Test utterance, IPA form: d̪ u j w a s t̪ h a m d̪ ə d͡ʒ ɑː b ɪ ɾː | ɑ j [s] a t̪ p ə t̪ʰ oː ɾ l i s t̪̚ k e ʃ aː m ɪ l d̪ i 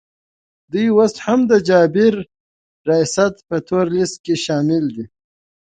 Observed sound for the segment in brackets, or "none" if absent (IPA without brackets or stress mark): s